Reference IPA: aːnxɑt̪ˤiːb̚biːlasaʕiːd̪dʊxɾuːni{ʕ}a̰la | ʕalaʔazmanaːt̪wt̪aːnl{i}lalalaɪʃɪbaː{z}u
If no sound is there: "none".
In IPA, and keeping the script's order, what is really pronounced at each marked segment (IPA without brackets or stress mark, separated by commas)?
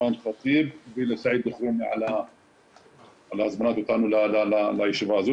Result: ʕ, a, z